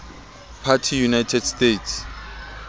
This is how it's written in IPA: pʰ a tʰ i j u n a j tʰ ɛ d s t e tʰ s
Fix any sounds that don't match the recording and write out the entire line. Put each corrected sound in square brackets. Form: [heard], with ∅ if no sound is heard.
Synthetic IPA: pʰ a tʰ i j u n a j tʰ ɛ d s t e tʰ s